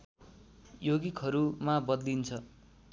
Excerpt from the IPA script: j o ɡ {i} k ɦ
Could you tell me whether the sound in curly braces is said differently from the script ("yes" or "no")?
no